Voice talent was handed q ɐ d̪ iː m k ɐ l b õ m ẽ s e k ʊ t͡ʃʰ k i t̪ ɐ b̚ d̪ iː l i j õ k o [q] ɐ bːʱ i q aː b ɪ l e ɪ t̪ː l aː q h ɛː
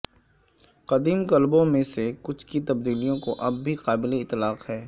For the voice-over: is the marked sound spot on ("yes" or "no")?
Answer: no